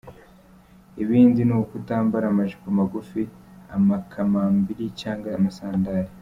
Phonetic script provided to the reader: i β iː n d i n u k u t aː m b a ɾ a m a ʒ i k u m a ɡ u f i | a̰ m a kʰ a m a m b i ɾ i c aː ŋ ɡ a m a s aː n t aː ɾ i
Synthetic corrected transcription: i β iː n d i n u k u t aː m b a ɾ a m a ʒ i k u m a ɡ u f i | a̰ m a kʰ a m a m b i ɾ i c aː ŋ ɡ a m a s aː n d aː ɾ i